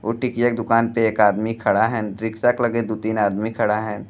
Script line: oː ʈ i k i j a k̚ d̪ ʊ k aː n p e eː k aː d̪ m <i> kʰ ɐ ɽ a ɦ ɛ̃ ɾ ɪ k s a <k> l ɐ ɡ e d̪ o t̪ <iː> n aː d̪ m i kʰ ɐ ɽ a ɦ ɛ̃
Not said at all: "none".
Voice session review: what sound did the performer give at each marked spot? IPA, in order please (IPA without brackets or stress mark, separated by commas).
i, k, iː